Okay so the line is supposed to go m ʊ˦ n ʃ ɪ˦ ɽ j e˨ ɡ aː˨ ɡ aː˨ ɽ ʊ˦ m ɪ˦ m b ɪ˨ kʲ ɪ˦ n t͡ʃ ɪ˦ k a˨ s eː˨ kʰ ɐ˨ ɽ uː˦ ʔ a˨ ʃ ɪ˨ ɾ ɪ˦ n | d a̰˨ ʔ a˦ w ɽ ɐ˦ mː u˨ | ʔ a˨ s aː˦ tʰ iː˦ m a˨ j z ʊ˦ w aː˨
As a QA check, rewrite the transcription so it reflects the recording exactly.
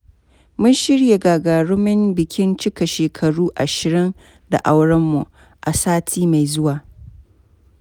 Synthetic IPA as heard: m ʊ˦ n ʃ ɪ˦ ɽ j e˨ ɡ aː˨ ɡ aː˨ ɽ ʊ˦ m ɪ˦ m b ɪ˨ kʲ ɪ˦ n t͡ʃ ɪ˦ k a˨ ʃ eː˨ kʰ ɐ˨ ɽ uː˦ ʔ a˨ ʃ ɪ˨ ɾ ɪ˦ n | d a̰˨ ʔ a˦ w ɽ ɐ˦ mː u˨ | ʔ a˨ s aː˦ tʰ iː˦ m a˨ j z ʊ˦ w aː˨